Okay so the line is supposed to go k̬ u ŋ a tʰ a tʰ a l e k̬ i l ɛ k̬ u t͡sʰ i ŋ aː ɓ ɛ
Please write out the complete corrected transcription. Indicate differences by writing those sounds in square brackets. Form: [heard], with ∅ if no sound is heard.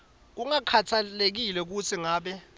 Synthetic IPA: k̬ u ŋ a [kʰ] a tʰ a l e k̬ i l ɛ k̬ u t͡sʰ i ŋ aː ɓ ɛ